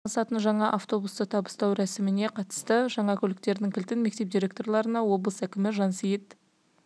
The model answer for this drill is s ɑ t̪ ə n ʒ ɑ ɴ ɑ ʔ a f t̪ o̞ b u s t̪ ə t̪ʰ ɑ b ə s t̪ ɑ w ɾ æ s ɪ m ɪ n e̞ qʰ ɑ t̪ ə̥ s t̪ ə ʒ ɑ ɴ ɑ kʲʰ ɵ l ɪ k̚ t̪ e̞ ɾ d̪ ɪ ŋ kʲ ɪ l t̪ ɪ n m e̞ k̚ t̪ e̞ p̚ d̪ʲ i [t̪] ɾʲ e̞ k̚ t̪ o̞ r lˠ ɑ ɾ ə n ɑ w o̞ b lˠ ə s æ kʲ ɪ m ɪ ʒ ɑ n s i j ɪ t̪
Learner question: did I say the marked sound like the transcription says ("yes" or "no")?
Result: no